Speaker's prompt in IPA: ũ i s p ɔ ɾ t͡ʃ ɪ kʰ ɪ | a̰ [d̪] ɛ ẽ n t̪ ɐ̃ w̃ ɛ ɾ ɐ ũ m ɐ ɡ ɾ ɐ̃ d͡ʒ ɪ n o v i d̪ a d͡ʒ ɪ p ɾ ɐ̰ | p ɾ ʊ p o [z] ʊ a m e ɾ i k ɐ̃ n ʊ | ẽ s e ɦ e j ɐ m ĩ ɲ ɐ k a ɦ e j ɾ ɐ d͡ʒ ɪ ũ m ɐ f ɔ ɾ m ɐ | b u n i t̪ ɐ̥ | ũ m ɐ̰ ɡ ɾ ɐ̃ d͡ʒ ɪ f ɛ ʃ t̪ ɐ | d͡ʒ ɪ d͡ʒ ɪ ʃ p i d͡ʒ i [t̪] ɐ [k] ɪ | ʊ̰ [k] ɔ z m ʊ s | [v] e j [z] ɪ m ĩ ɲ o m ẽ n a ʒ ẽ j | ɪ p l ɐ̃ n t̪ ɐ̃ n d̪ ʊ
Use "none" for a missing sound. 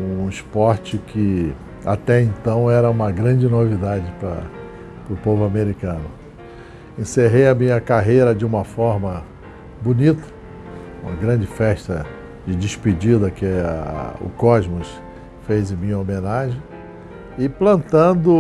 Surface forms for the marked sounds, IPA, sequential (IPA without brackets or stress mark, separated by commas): t̪, v, d̪, k, k, f, z